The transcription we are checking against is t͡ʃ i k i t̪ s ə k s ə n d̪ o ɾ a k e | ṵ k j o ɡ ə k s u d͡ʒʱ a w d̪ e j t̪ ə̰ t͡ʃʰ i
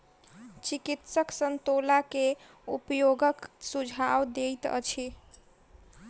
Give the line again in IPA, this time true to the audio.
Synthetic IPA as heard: t͡ʃ i k i t̪ s ə k s ə n t̪ o l a k e | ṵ p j o ɡ ə k s u d͡ʒʱ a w d̪ e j t̪ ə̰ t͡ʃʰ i

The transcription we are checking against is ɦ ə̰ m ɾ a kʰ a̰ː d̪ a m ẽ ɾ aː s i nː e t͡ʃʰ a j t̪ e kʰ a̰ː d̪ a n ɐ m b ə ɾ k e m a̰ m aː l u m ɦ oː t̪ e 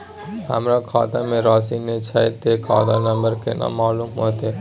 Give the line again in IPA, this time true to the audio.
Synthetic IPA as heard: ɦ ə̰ m ɾ a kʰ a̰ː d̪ a m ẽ ɾ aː s i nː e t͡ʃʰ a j t̪ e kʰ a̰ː d̪ a n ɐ m b ə ɾ k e n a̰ m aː l u m ɦ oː t̪ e

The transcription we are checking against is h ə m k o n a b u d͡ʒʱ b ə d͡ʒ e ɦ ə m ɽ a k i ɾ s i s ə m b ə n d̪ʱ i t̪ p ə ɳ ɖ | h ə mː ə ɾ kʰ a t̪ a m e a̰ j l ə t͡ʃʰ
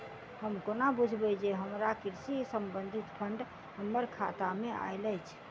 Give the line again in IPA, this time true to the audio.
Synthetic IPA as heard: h ə m k o n a b u d͡ʒʱ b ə d͡ʒ e ɦ ə m ɾ a k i ɾ s i s ə m b ə n d̪ʱ i t̪ pʰ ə ɳ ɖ | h ə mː ə ɾ kʰ a t̪ a m e a̰ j l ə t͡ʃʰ

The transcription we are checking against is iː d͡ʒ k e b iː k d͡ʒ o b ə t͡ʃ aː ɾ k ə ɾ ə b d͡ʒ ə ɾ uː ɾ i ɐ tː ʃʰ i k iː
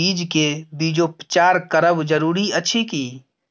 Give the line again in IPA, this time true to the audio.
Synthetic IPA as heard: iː d͡ʒ k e b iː d͡ʒ o p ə t͡ʃ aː ɾ k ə ɾ ə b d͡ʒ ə ɾ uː ɾ i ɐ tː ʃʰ i k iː

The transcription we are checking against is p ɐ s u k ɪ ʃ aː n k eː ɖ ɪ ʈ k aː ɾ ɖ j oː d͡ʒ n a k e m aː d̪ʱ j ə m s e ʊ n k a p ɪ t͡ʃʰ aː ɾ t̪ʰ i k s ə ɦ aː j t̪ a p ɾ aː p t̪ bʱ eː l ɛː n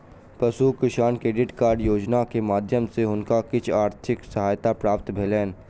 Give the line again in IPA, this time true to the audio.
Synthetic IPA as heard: p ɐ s u k ɪ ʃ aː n k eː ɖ ɪ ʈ k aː ɾ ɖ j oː d͡ʒ n a k e m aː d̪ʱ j ə m s e ʊ n k a k ɪ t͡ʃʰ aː ɾ t̪ʰ ɪ k s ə ɦ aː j t̪ a p ɾ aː p t̪ bʱ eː l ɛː n

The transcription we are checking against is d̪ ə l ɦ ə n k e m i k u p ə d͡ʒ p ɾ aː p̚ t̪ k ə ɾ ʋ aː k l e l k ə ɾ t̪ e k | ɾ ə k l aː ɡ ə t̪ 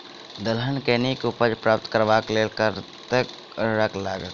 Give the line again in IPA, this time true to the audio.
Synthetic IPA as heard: d̪ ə l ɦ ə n k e n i k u p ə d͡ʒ p ɾ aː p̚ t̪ k ə ɾ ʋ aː k l e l k ə ɾ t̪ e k | ɾ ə k l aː ɡ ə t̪

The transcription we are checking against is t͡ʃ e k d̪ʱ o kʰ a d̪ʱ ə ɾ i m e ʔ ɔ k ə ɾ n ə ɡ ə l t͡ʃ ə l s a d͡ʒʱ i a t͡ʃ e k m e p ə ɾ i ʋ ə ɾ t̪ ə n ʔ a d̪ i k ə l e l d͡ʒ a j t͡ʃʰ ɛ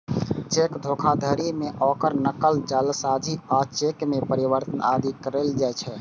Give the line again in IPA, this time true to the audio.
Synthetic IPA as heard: t͡ʃ e k d̪ʱ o kʰ a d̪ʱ ə ɾ i m e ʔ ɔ k ə ɾ n ə k ə l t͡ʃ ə l s a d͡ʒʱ i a t͡ʃ e k m e p ə ɾ i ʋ ə ɾ t̪ ə n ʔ a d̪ i k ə ɾ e l d͡ʒ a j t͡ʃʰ ɛ

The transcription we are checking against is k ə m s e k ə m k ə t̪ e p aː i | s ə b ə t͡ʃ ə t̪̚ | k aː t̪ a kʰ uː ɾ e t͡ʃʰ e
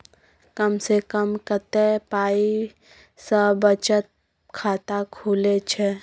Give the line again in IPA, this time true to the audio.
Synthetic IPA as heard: k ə m s e k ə m k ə t̪ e p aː i | s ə b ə t͡ʃ ə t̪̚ | kʰ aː t̪ a kʰ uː l e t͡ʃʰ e

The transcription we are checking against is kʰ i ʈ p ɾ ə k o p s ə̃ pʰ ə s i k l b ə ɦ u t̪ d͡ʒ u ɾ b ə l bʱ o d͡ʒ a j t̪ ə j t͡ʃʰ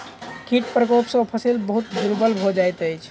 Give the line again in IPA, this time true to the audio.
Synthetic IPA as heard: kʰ i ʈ p ɾ ə k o p s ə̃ pʰ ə s i l b ə ɦ u t̪ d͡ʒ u ɾ b ə l bʱ o d͡ʒ a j t̪ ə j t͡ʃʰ

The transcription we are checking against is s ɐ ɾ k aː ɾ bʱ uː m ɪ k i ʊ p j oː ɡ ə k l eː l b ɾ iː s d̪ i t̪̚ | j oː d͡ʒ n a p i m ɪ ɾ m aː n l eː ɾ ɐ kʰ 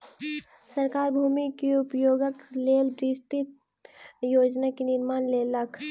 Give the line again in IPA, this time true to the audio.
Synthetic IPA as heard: s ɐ ɾ k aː ɾ bʱ uː m i k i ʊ p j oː ɡ ə k l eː l b ɾ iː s t̪ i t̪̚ | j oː d͡ʒ n a k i n ɪ ɾ m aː n l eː l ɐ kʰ

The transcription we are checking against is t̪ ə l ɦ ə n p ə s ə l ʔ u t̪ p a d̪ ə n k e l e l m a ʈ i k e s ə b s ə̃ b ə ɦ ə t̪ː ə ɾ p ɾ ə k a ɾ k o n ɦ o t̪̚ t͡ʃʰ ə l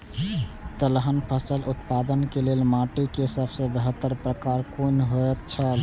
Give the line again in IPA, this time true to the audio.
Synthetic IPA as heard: t̪ ə l ɦ ə n pʰ ə s ə l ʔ u t̪ p a d̪ ə n k e l e l m a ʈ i k e s ə b s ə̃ b ə ɦ ə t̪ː ə ɾ p ɾ ə k a ɾ k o n ɦ o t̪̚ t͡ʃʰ ə l

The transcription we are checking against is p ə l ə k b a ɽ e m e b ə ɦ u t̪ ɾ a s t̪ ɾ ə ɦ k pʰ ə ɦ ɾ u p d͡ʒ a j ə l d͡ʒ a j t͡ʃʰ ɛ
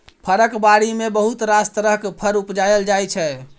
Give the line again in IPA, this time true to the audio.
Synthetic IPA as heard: pʰ ə ɾ ə k b a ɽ i m e b ə ɦ u t̪ ɾ a s t̪ ɾ ə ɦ k pʰ ə ɾ u p d͡ʒ a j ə l d͡ʒ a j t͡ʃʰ ɛ

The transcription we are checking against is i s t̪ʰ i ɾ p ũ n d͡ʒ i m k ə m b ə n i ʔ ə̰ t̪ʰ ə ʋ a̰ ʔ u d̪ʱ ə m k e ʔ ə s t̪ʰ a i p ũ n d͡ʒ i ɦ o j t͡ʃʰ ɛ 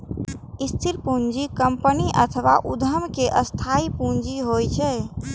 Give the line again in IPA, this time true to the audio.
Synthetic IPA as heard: i s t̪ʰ i ɾ p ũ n d͡ʒ i k ə m p ə n i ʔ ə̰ t̪ʰ ə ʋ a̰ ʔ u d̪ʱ ə m k e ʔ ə s t̪ʰ a i p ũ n d͡ʒ i ɦ o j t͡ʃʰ ɛ

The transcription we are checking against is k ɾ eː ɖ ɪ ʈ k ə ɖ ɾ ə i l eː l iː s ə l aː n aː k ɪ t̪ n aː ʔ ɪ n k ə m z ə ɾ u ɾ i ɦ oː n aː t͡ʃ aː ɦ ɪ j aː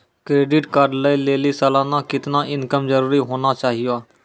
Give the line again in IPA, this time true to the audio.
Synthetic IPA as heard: k ɾ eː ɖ ɪ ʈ k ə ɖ l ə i l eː l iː s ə l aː n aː k ɪ t̪ n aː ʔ ɪ n k ə m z ə ɾ uː ɾ i ɦ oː n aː t͡ʃ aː ɦ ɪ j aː

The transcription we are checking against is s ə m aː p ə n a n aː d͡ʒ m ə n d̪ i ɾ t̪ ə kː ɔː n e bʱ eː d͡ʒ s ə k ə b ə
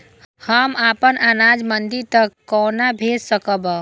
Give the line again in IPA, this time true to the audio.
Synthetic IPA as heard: h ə m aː p ə n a n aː d͡ʒ m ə n d̪ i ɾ t̪ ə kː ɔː n a bʱ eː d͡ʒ s ə k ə b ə

